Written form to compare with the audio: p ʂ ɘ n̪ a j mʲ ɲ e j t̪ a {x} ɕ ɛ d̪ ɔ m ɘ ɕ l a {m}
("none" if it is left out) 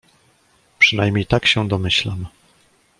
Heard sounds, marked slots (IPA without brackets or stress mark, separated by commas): k, m